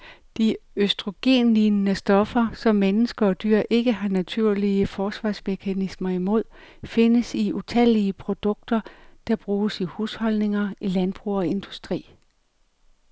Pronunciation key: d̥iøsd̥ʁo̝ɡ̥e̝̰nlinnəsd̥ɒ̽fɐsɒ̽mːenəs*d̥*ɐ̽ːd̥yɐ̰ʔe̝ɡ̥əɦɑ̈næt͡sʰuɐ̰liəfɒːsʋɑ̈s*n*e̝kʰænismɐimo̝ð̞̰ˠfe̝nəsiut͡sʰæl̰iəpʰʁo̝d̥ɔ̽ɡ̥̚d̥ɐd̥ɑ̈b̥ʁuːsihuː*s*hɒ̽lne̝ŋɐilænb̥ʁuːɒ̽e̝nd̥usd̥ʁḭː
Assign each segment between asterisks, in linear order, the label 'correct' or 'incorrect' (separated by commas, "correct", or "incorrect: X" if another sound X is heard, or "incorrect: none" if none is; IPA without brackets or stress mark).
incorrect: ɡ̥, incorrect: m, correct